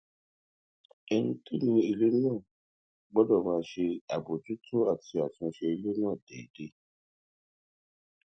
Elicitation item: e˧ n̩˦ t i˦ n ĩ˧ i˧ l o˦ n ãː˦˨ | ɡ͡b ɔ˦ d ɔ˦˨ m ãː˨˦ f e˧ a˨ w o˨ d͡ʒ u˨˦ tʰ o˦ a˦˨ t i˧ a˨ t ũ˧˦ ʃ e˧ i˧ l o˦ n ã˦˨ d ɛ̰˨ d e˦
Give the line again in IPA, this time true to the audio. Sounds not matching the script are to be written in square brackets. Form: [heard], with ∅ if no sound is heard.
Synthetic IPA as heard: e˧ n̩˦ t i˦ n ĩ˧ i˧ l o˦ n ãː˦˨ | ɡ͡b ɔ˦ d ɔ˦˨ m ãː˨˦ [ʃ] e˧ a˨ [b] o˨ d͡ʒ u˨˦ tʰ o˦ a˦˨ t i˧ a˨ t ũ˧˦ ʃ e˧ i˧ l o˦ n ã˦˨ d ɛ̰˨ d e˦